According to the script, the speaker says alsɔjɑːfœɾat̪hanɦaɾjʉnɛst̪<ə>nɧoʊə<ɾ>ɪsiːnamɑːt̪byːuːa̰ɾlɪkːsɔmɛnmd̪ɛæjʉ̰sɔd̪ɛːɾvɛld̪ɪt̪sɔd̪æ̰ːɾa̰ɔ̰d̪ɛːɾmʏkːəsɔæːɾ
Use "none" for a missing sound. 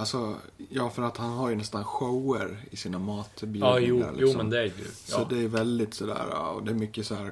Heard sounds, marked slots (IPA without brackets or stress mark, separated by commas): a, ɾ